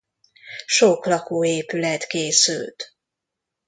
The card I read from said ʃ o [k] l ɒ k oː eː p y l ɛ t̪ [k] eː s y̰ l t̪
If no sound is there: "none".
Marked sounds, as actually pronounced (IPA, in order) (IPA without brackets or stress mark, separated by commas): k, k